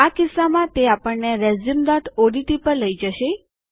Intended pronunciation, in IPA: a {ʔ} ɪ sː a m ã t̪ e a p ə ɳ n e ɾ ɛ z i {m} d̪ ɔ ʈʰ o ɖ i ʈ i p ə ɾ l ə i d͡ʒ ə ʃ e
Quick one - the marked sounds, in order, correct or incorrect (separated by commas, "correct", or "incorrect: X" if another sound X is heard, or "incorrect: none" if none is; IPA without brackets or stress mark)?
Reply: incorrect: k, correct